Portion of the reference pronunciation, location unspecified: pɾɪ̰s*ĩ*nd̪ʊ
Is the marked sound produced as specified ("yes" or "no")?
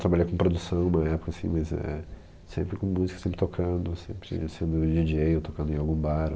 no